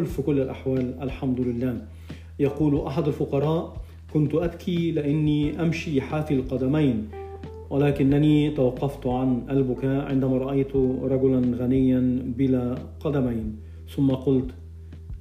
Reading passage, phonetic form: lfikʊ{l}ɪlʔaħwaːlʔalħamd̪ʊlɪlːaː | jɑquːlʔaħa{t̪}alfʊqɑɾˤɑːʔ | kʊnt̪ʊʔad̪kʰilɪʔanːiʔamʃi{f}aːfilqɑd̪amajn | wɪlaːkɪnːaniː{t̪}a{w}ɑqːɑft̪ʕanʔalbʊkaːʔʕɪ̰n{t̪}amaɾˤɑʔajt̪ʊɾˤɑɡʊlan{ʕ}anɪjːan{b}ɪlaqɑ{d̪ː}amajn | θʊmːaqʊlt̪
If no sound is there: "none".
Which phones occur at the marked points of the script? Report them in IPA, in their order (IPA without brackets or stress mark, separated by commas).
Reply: lː, d̪, ħ, t̪, w, d̪, ɣ, b, d̪